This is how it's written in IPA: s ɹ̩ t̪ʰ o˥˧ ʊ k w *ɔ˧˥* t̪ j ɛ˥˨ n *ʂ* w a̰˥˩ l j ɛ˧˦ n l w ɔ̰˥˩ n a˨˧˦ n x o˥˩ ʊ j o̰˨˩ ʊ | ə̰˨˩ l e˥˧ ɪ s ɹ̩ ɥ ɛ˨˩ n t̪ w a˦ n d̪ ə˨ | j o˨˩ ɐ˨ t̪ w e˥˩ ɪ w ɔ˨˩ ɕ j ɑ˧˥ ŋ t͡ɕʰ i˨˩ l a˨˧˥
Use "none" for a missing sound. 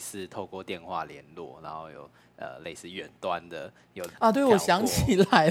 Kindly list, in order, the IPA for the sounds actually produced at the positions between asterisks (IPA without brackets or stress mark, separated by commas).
ɔ˥˧, x